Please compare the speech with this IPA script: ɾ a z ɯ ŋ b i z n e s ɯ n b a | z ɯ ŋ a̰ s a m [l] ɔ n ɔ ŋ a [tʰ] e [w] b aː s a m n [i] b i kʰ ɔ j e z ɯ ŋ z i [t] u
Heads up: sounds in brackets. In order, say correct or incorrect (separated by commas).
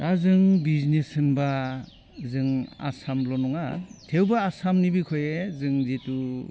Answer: correct, correct, correct, correct, correct